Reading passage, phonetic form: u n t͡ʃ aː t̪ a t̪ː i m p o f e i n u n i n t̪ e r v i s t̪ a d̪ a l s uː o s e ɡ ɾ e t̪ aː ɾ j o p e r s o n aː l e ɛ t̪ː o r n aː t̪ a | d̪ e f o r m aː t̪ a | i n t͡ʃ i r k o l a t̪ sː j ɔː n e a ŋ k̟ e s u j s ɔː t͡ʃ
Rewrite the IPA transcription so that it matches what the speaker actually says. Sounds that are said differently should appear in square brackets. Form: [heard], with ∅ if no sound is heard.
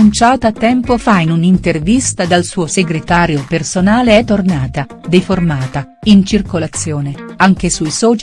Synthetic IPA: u n t͡ʃ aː t̪ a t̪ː [ɛ] m p o f [a] i n u n i n t̪ e r v i s t̪ a d̪ a l s uː o s e ɡ ɾ e t̪ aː ɾ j o p e r s o n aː l e ɛ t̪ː o r n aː t̪ a | d̪ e f o r m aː t̪ a | i n t͡ʃ i r k o l a t̪ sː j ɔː n e a ŋ k̟ e s u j s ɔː t͡ʃ